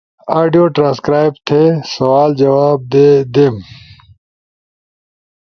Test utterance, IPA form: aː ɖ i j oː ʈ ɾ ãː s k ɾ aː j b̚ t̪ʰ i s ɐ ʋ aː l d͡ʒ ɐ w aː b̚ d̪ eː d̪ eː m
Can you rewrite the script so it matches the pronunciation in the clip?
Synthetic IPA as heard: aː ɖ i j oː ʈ ɾ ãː s k ɾ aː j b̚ t̪ʰ e s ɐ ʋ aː l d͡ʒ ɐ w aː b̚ d̪ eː d̪ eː m